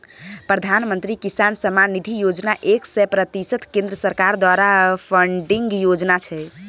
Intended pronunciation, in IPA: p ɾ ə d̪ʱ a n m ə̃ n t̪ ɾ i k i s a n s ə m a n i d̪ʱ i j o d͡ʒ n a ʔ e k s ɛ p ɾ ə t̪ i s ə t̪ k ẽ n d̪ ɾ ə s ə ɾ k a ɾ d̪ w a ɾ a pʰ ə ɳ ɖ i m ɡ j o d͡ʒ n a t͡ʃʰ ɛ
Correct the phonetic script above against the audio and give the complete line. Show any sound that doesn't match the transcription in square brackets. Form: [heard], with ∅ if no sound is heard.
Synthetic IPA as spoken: p ɾ ə d̪ʱ a n m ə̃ n t̪ ɾ i k i s a n s ə m a n i d̪ʱ i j o d͡ʒ n a ʔ e k s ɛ p ɾ ə t̪ i s ə t̪ k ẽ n d̪ ɾ ə s ə ɾ k a ɾ d̪ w a ɾ a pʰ ə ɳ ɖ i [ŋ] ɡ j o d͡ʒ n a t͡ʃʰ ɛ

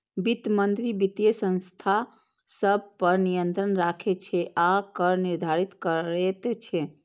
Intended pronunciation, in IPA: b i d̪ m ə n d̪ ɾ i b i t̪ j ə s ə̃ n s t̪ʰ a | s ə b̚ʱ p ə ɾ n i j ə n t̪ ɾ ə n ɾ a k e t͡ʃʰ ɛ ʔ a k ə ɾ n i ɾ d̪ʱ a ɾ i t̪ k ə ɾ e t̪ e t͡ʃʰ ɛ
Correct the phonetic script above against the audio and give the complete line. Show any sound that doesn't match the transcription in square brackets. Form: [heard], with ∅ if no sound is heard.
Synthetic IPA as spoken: b i [t̪] m ə n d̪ ɾ i b i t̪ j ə s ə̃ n s t̪ʰ a | s ə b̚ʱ p ə ɾ n i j ə n t̪ ɾ ə n ɾ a [kʰ] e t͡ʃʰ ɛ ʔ a k ə ɾ n i ɾ d̪ʱ a ɾ i t̪ k ə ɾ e t̪ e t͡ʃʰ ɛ

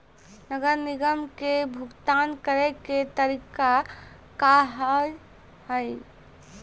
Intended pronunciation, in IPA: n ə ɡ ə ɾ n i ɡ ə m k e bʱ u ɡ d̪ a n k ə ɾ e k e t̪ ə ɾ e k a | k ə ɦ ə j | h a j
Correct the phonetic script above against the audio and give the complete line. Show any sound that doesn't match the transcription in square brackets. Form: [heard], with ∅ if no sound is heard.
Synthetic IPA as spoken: n ə ɡ ə ɾ n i ɡ ə m k e bʱ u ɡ [t̪] a n k ə ɾ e k e t̪ ə ɾ [i] k a | k [a] ɦ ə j | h [ə] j

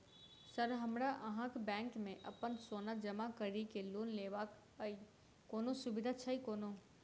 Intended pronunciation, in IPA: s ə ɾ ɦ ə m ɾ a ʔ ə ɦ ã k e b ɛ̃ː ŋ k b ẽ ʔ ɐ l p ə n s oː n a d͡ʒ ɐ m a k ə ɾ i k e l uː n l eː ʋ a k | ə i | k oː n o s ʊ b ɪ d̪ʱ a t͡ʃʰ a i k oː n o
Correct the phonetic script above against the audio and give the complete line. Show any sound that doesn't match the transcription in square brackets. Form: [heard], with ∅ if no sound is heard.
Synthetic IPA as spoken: s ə ɾ ɦ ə m ɾ a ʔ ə ɦ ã k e b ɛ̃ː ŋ k [m] ẽ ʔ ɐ [∅] p ə n s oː n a d͡ʒ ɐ m a k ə ɾ i k e l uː n l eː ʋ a k | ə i | k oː n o s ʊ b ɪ d̪ʱ a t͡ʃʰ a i k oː n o

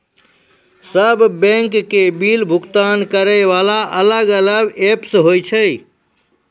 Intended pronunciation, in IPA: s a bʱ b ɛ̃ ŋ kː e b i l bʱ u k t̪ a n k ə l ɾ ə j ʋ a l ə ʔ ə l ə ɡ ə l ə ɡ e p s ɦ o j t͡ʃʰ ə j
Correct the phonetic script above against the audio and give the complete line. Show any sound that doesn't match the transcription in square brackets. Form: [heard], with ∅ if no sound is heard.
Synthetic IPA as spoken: s [ə] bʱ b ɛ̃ ŋ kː e b i l bʱ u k t̪ a n k ə [∅] ɾ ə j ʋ a l [a] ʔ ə l ə ɡ ə l ə ɡ e p s ɦ o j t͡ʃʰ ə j

